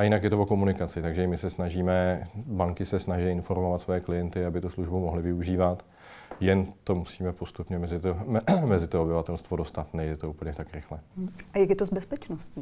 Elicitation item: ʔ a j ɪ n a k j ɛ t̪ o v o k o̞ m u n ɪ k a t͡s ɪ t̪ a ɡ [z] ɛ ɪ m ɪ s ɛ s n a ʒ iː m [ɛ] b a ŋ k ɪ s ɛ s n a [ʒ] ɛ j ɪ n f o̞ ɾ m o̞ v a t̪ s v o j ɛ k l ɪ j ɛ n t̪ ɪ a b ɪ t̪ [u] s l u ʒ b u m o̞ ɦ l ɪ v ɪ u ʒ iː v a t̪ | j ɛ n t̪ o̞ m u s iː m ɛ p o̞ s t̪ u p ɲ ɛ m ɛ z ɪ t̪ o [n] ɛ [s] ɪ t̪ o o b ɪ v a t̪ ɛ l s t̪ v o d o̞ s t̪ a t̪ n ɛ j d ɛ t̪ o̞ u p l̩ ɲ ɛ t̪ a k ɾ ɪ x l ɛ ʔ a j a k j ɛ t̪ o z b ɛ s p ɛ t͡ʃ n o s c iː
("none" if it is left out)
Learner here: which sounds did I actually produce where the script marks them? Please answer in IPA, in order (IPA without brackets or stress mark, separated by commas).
ʒ, ɛ, ʒ, u, m, z